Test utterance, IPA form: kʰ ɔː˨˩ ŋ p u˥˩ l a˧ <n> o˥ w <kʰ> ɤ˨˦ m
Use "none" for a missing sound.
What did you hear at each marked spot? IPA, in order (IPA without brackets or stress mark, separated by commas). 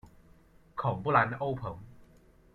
n, pʰ